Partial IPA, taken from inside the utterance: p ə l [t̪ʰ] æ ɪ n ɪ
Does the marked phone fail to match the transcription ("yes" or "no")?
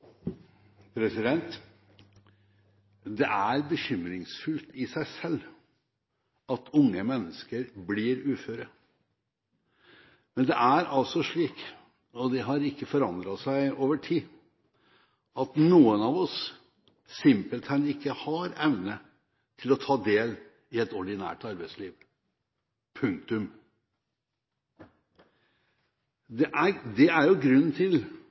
no